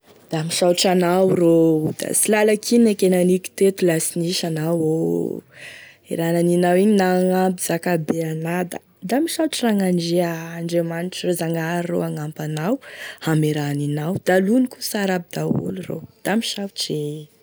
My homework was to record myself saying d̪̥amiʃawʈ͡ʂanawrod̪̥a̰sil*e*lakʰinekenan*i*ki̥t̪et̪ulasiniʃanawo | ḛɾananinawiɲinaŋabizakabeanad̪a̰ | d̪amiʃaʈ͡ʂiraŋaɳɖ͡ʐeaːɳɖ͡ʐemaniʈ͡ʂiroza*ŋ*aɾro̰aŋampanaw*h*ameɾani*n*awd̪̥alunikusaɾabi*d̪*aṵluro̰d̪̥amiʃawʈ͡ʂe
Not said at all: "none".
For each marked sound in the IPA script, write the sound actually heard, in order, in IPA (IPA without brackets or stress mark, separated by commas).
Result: a, i, ŋ, h, n, d̪